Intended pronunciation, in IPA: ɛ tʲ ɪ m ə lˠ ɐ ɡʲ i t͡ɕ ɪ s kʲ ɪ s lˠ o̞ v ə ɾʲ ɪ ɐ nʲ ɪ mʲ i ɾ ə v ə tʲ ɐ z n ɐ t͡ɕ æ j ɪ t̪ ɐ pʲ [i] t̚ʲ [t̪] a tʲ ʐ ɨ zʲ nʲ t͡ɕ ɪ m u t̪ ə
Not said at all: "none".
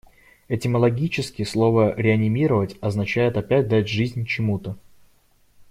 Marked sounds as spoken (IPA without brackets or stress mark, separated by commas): æ, d̪